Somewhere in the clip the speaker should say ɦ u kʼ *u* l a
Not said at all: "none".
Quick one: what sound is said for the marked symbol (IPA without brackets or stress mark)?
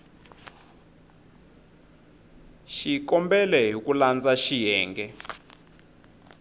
u